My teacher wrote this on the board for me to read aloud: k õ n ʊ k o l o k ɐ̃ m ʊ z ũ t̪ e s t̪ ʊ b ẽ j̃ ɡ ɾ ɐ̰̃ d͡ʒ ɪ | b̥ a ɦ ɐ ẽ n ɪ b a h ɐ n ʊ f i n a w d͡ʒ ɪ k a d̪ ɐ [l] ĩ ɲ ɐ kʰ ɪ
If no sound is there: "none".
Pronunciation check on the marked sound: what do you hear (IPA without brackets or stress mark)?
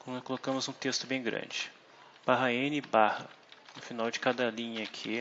l